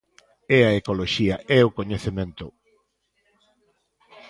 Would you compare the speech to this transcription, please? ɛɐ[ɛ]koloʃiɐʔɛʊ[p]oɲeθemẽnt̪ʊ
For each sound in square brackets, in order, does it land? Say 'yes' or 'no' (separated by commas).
no, no